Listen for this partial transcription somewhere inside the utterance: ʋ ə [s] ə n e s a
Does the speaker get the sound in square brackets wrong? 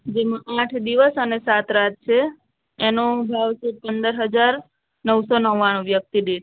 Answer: no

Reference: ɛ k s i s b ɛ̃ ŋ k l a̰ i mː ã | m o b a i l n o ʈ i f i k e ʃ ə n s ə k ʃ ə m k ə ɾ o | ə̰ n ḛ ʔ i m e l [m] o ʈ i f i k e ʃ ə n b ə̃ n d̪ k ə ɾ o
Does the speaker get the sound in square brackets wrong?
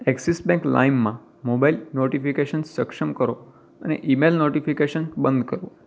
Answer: yes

